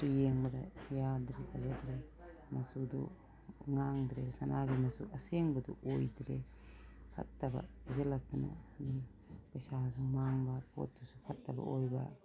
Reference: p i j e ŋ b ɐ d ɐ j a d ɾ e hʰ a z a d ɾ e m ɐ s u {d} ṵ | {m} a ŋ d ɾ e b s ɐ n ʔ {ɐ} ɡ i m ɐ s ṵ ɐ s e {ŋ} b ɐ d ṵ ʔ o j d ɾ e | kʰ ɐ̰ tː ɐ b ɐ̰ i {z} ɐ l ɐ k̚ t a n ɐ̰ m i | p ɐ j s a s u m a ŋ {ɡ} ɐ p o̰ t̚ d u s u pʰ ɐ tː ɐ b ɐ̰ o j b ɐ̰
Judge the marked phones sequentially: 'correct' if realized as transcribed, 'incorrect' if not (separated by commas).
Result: correct, incorrect, incorrect, correct, correct, incorrect